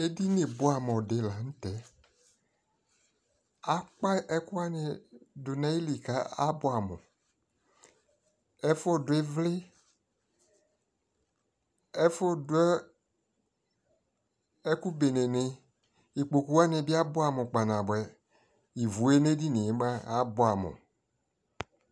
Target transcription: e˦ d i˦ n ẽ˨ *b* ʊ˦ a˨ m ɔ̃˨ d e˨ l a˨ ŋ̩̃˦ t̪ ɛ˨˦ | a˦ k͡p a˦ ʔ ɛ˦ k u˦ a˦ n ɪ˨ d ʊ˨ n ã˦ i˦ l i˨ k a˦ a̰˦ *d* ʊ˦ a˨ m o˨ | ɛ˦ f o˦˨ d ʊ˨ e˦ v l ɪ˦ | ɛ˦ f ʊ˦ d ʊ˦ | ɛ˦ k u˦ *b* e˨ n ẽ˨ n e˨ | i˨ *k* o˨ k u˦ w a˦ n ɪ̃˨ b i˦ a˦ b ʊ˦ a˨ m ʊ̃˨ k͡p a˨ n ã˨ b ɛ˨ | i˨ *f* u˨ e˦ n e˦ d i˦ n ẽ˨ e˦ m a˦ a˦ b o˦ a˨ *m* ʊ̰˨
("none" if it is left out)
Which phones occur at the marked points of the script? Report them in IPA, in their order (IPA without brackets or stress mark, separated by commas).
b, b, b, k͡p, v, m